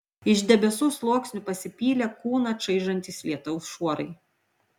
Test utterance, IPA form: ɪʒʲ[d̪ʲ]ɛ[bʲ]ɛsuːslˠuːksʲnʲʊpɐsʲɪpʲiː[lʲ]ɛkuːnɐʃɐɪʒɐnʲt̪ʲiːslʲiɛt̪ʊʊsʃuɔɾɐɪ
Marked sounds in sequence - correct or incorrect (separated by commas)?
correct, correct, correct